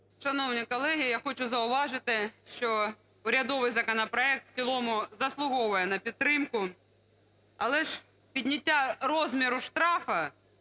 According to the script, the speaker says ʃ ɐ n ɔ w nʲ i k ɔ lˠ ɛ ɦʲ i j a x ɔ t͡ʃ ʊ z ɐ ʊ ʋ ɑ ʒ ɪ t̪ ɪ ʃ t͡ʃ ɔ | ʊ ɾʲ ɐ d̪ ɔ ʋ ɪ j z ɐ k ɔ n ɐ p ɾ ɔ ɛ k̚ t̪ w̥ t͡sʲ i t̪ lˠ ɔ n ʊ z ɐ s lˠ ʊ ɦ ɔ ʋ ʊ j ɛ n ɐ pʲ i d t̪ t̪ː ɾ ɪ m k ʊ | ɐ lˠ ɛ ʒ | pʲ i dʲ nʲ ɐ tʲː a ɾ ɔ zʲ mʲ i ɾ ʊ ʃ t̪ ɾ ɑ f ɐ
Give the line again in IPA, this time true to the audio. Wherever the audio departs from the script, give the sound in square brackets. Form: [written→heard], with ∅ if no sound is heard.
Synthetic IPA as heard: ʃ ɐ n ɔ w nʲ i k ɔ lˠ ɛ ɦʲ i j a x ɔ t͡ʃ ʊ z ɐ ʊ ʋ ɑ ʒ ɪ t̪ ɪ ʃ t͡ʃ ɔ | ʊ ɾʲ ɐ d̪ ɔ ʋ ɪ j z ɐ k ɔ n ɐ p ɾ ɔ ɛ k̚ t̪ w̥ t͡sʲ i [t̪→∅] lˠ ɔ [n→m] ʊ z ɐ s lˠ ʊ ɦ ɔ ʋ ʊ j ɛ n ɐ pʲ i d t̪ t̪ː ɾ ɪ m k ʊ | ɐ lˠ ɛ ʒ | pʲ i dʲ nʲ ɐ tʲː a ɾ ɔ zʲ mʲ i ɾ ʊ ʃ t̪ ɾ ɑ f ɐ

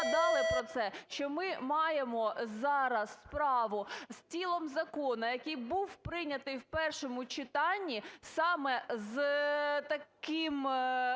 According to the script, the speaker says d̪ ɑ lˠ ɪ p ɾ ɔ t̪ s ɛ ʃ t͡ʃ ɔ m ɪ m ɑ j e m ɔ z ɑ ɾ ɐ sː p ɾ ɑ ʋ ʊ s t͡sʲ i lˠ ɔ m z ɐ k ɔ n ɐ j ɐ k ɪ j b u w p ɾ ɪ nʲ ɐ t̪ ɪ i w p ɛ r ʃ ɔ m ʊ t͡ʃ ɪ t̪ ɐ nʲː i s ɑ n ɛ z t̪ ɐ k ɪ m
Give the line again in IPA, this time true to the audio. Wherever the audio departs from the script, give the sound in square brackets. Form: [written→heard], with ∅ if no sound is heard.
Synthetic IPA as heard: d̪ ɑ lˠ ɪ p ɾ ɔ t̪ s ɛ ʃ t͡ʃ ɔ m ɪ m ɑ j e m ɔ z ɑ ɾ ɐ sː p ɾ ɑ ʋ ʊ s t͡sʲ i lˠ ɔ m z ɐ k ɔ n ɐ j ɐ k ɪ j b u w p ɾ ɪ nʲ ɐ t̪ ɪ [i→j] w p ɛ r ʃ ɔ m ʊ t͡ʃ ɪ t̪ [ɐ→ɑ] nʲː i s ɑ [n→m] ɛ z t̪ ɐ k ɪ m

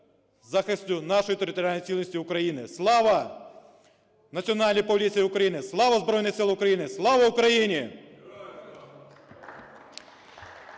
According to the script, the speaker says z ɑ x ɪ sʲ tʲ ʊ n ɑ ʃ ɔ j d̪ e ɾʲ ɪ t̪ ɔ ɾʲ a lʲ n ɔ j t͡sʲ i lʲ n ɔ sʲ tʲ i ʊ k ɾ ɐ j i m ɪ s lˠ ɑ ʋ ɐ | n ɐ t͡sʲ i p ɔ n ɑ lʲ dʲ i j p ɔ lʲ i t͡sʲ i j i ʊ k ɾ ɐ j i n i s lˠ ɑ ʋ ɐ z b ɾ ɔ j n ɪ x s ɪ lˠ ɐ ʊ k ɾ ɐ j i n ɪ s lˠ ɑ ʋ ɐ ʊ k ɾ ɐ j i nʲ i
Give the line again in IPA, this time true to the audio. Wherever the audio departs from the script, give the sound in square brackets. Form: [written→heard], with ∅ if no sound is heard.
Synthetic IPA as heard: z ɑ x ɪ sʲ tʲ ʊ n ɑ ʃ ɔ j [d̪→t̪] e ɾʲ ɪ t̪ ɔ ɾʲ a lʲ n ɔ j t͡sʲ i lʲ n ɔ sʲ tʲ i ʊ k ɾ ɐ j i [m→n] ɪ s lˠ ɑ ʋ ɐ | n ɐ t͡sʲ i [p→∅] ɔ n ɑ lʲ [dʲ→nʲ] i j p ɔ lʲ i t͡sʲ i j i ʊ k ɾ ɐ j i n [i→ɪ] s lˠ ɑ ʋ ɐ z b ɾ ɔ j n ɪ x s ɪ lˠ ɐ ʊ k ɾ ɐ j i n ɪ s lˠ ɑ ʋ ɐ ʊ k ɾ ɐ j i nʲ i

